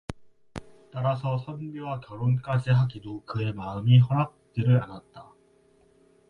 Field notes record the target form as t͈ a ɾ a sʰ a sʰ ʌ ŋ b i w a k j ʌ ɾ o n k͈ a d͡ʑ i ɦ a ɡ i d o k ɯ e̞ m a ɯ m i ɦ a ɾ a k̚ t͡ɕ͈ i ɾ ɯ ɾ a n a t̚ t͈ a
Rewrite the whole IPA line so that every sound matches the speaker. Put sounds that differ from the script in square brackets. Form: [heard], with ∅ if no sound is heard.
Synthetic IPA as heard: t͈ a ɾ a sʰ [ʌ] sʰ ʌ [n] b i w a k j ʌ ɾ o n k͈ a d͡ʑ i ɦ a ɡ i d o k ɯ e̞ m a ɯ m i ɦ [ʌ] ɾ a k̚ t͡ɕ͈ i ɾ ɯ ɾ a n a t̚ t͈ a

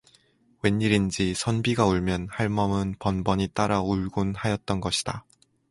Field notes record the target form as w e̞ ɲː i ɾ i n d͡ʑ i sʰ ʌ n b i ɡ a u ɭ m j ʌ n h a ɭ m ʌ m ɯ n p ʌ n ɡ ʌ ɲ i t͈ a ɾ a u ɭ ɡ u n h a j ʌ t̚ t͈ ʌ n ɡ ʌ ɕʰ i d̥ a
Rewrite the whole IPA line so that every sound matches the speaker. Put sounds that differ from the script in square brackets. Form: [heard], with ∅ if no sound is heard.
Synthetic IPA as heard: w e̞ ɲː i ɾ i n d͡ʑ i sʰ ʌ n b i ɡ a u ɭ m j ʌ n h a ɭ m ʌ m ɯ n p ʌ n [b] ʌ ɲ i t͈ a ɾ a u ɭ ɡ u n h a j ʌ t̚ t͈ ʌ n ɡ ʌ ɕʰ i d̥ a

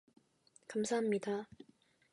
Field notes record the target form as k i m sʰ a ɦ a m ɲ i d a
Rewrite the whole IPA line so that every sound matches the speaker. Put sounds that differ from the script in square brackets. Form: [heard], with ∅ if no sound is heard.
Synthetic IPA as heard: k [a] m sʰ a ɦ a m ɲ i d a

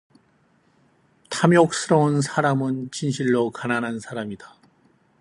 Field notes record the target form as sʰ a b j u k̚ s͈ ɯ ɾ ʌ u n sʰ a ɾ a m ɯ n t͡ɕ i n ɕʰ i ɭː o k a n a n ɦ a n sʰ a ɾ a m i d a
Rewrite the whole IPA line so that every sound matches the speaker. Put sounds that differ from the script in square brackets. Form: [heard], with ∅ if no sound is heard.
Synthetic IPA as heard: [tʰ] a [m] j [o] k̚ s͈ ɯ ɾ ʌ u n sʰ a ɾ a m ɯ n t͡ɕ i n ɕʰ i ɭː o k a n a n ɦ a n sʰ a ɾ a m i d a

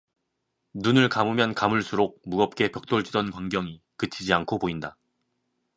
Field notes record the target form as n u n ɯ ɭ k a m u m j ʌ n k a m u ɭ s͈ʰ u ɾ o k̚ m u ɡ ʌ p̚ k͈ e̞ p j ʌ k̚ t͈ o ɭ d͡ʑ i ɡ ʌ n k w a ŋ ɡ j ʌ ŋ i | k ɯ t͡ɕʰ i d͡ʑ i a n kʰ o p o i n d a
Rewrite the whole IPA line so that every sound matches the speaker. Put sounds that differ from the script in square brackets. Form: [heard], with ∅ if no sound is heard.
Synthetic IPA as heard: n u n ɯ ɭ k a m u m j ʌ n k a m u ɭ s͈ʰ u ɾ o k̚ m u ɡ ʌ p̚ k͈ e̞ p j ʌ k̚ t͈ o ɭ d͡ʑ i [d] ʌ n k w a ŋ ɡ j ʌ ŋ i | k ɯ t͡ɕʰ i d͡ʑ i a n kʰ o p o i n d a

